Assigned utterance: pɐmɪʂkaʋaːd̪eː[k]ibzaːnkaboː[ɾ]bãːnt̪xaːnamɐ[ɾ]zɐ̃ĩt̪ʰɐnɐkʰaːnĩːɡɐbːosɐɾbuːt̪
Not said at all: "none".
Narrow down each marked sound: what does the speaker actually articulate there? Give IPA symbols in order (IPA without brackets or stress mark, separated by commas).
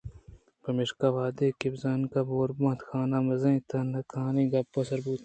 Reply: k, ɾ, none